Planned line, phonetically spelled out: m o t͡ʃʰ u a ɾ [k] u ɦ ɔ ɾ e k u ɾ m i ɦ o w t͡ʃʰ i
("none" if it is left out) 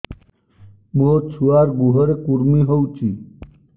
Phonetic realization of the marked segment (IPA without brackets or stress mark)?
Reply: ɡ